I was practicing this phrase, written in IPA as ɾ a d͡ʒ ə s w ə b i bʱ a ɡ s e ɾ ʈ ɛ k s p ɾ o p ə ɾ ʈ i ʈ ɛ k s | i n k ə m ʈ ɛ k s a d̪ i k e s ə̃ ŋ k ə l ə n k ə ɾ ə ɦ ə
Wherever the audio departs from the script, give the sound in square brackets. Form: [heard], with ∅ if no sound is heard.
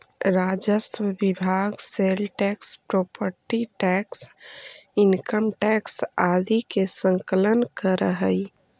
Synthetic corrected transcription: ɾ a d͡ʒ ə s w ə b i bʱ a ɡ s e [l] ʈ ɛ k s p ɾ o p ə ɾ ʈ i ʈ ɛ k s | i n k ə m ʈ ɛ k s a d̪ i k e s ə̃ ŋ k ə l ə n k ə ɾ ə ɦ ə